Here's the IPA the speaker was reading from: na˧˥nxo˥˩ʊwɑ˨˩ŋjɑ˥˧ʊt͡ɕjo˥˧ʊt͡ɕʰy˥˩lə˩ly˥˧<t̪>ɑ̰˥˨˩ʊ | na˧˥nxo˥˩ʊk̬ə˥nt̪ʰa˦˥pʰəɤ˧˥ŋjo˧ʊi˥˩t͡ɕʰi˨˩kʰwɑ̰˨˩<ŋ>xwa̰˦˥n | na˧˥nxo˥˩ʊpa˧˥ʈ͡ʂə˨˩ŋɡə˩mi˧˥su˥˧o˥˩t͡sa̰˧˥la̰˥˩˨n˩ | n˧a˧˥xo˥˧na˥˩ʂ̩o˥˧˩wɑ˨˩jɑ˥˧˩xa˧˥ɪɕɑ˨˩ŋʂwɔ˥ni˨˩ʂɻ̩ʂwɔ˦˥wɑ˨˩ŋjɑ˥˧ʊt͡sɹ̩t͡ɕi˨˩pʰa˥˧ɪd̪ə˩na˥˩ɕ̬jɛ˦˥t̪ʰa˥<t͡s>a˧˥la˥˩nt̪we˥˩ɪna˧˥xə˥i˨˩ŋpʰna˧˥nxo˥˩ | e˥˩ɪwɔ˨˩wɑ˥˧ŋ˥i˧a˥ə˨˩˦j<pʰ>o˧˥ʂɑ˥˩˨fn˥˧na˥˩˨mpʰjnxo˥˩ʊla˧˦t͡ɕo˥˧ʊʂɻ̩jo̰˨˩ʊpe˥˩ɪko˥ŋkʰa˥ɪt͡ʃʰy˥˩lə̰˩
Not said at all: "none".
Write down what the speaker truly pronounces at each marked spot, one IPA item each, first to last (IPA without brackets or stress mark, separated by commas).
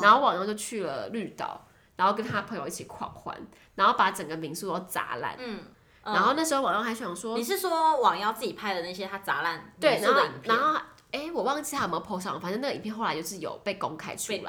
t̪, ŋ, t͡s, pʰ